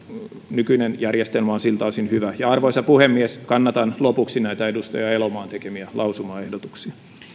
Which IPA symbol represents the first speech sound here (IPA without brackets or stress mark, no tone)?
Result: n